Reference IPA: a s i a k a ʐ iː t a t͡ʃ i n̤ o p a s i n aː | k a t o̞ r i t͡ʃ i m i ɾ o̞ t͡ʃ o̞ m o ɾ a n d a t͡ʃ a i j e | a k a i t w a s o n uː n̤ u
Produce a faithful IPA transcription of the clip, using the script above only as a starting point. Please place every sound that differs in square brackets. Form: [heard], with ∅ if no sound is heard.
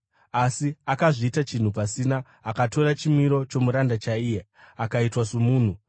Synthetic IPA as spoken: a s i a k a ʐ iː t a t͡ʃ i n̤ [u] p a s i n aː | k a t o̞ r [a] t͡ʃ i m i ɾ o̞ t͡ʃ o̞ m [u] ɾ a n d a t͡ʃ a i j e | a k a i t w a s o [m] uː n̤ u

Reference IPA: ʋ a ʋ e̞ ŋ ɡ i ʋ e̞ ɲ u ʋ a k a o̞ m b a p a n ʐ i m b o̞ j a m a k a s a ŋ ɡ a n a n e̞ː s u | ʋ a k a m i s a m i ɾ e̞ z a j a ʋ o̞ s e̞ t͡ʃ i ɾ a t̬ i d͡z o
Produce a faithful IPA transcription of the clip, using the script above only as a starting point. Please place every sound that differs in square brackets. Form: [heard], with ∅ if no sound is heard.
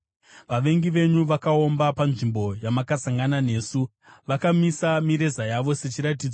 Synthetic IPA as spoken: ʋ a ʋ e̞ ŋ ɡ i ʋ e̞ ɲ u ʋ a k a o̞ m b a p a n ʐ i m b o̞ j a m a k a s a ŋ ɡ a n a n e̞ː s u | ʋ a k a m i s a m i ɾ e̞ z a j a ʋ o̞ s e̞ t͡ʃ i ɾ a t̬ i d͡z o

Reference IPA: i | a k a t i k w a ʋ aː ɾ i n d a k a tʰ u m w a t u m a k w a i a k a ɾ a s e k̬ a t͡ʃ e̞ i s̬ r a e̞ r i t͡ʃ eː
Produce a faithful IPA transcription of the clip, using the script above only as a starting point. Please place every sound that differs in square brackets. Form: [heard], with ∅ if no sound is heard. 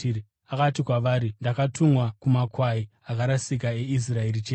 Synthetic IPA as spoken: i | a k a t i k w a ʋ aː ɾ i n d a k a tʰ u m w a [k] u m a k w a i a k a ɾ a s [i] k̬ a [∅] e̞ i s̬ r a e̞ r i t͡ʃ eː

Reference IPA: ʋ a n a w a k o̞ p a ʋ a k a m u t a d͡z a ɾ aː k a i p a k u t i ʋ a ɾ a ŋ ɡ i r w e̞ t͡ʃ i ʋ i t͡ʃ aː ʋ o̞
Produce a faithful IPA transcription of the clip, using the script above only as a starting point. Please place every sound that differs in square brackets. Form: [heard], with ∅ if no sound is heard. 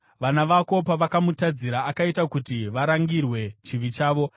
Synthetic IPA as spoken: ʋ a n a [ʋ] a k o̞ p a ʋ a k a m u t a d͡z [i] ɾ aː k a i [t] a k u t i ʋ a ɾ a ŋ ɡ i r w e̞ t͡ʃ i ʋ i t͡ʃ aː ʋ o̞

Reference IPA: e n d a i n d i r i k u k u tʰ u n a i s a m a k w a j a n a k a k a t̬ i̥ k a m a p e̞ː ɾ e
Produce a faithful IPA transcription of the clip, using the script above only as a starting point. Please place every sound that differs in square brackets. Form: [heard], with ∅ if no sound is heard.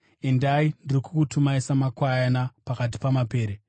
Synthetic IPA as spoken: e n d a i n d i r i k u k u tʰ u [m] a i s a m a k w a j a n a [p] a k a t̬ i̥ [p] a m a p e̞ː ɾ e

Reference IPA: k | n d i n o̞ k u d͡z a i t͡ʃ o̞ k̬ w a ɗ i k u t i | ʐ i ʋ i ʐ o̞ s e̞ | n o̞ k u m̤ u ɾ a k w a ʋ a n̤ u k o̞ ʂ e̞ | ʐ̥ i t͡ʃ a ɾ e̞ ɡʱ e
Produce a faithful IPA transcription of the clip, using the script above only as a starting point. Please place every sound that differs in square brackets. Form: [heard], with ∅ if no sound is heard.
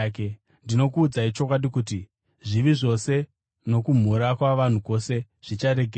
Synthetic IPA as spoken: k | n d i n o̞ k [uː] d͡z a i t͡ʃ o̞ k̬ w a ɗ i k u t i | ʐ i ʋ i ʐ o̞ s e̞ | n o̞ k u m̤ u ɾ a k w a ʋ a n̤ u k o̞ [s] e̞ | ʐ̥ i t͡ʃ a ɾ e̞ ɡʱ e

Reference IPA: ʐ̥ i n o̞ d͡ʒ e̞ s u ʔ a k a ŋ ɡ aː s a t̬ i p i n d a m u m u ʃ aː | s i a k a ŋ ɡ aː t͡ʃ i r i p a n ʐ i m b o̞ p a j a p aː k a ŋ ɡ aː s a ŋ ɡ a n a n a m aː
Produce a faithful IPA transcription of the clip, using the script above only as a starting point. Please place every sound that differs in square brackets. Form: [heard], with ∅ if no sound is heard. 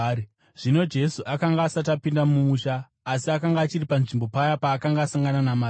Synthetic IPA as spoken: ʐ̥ i n o̞ d͡ʒ e̞ s u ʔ a k a ŋ ɡ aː s a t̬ [a] p i n d a m u m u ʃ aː | s i a k a ŋ ɡ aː t͡ʃ i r i p a n ʐ i m b o̞ p a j a p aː k a ŋ ɡ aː s a ŋ ɡ a n a n a m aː

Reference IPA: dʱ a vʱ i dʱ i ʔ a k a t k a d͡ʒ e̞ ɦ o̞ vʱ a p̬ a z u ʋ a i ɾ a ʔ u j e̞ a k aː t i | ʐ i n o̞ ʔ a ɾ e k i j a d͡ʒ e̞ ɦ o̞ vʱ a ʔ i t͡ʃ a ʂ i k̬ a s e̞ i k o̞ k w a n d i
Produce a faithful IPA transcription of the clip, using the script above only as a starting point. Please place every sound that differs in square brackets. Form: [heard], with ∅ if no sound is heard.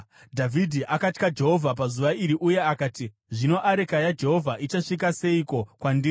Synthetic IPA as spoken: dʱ a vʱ i dʱ i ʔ a k a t k a d͡ʒ e̞ ɦ o̞ vʱ a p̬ a z u ʋ a i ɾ [i] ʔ u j e̞ a k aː t i | ʐ i n o̞ ʔ a ɾ e k [a] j a d͡ʒ e̞ ɦ o̞ vʱ a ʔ i t͡ʃ a ʂ i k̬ a s e̞ i k o̞ k w a n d i

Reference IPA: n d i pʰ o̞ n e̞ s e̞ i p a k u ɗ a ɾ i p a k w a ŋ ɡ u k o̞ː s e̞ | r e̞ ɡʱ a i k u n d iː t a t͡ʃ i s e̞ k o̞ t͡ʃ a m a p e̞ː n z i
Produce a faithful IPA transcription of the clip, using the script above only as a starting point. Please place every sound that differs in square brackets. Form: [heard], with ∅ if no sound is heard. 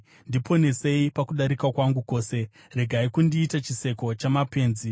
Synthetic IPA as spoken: n d i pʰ o̞ n e̞ s e̞ i p a k u ɗ a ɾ i [k] a k w a ŋ ɡ u k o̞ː s e̞ | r e̞ ɡʱ a i k u n d iː t a t͡ʃ i s e̞ k o̞ t͡ʃ a m a p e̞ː n z i

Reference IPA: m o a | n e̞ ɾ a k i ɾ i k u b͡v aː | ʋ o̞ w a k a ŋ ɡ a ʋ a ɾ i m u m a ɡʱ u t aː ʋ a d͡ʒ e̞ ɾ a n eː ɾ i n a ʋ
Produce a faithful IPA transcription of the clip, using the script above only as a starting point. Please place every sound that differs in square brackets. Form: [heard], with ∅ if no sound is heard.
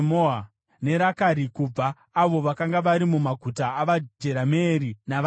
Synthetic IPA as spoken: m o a | n e̞ ɾ a k [a] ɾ i k u b͡v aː | ʋ o̞ [ʋ] a k a ŋ ɡ a ʋ a ɾ i m u m a ɡʱ u t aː ʋ a d͡ʒ e̞ ɾ a [m] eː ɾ i n a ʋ

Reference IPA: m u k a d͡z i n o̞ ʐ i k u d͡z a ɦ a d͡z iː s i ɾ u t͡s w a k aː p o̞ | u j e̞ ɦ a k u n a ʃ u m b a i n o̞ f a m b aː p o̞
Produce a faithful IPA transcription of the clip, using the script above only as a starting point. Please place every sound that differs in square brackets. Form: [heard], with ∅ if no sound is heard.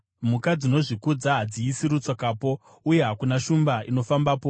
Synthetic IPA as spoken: m u k a d͡z i n o̞ ʐ i k u d͡z a ɦ a d͡z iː s i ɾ u t͡s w a k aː p o̞ | u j e̞ ɦ a k u n a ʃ u m b a i n o̞ f a m b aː p o̞

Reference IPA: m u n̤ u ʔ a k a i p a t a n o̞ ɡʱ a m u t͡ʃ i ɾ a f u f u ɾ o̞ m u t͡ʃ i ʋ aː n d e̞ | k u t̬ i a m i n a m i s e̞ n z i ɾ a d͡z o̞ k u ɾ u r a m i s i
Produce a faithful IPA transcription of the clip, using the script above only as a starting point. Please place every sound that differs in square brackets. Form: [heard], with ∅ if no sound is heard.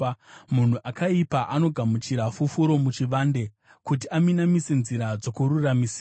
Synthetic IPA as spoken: m u n̤ u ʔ a k a i p a [ʔ] a n o̞ ɡʱ a m u t͡ʃ i ɾ a f u f u ɾ o̞ m u t͡ʃ i ʋ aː n d e̞ | k u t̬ i a m i n a m i s e̞ n z i ɾ a d͡z o̞ k u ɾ u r a m i s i

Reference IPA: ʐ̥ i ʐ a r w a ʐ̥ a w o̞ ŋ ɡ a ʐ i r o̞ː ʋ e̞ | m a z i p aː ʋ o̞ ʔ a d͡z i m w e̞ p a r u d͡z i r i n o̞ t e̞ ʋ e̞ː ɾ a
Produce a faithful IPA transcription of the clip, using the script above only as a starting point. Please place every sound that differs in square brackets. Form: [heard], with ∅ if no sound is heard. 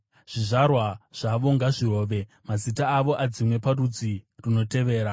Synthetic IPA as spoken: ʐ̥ i ʐ a r w a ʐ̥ a [ʋ] o̞ ŋ ɡ a ʐ i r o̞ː ʋ e̞ | m a z i [t] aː ʋ o̞ ʔ a d͡z i m w e̞ p a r u d͡z i r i n o̞ t e̞ ʋ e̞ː ɾ a

